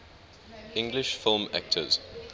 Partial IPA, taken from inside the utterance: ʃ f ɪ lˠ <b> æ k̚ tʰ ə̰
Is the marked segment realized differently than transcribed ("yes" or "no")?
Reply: yes